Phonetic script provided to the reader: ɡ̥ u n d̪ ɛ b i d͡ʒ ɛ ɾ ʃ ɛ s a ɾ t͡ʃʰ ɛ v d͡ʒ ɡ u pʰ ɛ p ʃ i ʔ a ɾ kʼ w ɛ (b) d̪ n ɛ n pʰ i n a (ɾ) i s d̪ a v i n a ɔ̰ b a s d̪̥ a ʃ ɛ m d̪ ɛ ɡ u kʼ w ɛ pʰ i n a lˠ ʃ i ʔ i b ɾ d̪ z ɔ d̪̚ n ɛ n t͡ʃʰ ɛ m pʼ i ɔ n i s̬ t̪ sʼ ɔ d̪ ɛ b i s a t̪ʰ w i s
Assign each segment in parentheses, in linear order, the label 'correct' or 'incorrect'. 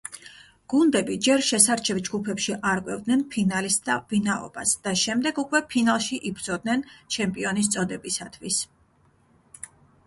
incorrect: v, incorrect: l

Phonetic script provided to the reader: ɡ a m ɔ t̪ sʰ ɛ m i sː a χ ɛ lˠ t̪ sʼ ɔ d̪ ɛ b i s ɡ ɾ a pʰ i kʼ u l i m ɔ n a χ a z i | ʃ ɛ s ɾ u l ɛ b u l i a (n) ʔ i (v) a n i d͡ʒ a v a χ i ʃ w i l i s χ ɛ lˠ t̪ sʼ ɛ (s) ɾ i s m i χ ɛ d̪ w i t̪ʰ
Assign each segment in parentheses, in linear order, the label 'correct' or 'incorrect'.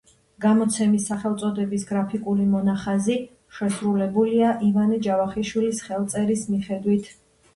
incorrect: none, correct, incorrect: none

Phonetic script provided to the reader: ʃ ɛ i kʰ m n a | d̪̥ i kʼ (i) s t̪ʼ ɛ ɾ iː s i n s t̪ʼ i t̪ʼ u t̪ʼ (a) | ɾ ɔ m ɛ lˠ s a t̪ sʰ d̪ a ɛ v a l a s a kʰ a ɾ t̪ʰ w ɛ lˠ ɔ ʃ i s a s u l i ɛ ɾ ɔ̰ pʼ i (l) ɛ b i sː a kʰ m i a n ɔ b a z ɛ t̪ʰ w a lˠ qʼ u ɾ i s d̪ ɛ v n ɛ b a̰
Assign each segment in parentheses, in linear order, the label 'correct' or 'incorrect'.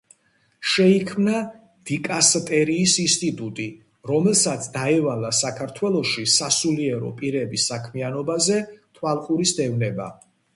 incorrect: a, incorrect: i, incorrect: ɾ

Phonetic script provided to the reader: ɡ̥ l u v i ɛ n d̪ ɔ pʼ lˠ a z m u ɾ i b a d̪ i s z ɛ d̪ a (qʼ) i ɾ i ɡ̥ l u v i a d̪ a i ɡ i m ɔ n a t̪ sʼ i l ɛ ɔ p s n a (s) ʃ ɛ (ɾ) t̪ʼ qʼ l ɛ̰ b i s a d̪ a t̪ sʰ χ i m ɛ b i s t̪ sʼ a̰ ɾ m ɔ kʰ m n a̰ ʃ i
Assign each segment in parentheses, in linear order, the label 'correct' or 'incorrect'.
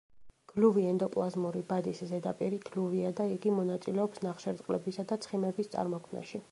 incorrect: pʼ, incorrect: χ, correct

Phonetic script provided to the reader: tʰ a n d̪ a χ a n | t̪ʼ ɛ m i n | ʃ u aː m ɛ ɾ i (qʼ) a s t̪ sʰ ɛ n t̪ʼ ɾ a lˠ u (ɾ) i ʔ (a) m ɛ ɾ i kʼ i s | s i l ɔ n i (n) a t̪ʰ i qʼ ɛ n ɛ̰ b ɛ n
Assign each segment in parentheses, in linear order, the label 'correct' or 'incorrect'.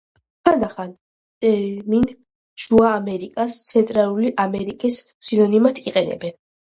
incorrect: kʼ, incorrect: l, correct, incorrect: m

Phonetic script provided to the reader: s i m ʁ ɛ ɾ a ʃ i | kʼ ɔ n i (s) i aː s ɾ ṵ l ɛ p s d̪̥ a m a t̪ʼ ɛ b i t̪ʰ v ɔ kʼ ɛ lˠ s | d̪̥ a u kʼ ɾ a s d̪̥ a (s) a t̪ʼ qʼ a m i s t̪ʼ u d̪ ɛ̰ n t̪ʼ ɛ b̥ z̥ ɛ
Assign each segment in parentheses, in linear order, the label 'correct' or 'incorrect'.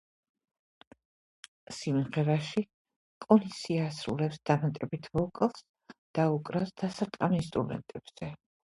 correct, correct

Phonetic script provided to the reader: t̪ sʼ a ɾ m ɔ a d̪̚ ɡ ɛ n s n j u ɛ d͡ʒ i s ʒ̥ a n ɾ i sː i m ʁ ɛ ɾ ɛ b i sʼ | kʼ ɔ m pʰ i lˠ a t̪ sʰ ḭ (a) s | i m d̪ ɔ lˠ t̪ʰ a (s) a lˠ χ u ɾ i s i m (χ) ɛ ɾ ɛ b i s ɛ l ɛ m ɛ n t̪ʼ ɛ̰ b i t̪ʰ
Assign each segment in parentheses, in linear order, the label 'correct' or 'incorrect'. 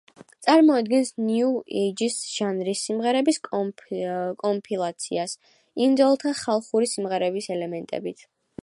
correct, incorrect: χ, incorrect: ʁ

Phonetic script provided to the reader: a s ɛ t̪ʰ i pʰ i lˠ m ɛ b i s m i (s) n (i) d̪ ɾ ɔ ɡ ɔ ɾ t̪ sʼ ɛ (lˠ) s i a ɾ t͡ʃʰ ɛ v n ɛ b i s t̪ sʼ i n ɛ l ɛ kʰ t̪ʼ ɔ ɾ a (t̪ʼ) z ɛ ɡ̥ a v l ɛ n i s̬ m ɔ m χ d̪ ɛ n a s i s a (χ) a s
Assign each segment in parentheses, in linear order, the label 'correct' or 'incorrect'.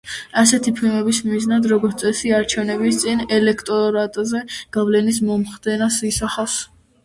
incorrect: z, incorrect: a, incorrect: none, correct, correct

